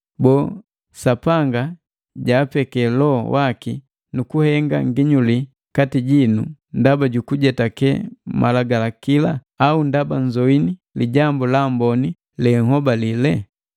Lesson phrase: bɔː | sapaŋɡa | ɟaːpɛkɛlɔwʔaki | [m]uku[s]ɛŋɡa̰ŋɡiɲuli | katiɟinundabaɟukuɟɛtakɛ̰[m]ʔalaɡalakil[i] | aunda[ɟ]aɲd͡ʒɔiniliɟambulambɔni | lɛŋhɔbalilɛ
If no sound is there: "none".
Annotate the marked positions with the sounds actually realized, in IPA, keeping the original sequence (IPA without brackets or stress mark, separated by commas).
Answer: n, h, m, a, b